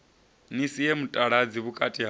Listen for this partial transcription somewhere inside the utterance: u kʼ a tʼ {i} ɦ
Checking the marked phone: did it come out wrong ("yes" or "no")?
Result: no